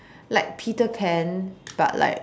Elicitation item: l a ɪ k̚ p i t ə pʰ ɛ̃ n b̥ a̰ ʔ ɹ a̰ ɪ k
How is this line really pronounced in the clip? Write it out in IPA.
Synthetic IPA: l a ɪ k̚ pʰ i t ə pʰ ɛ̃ n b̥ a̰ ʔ l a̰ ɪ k